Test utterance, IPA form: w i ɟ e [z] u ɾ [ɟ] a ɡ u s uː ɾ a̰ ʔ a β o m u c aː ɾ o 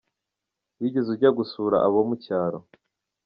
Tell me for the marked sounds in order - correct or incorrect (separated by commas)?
correct, correct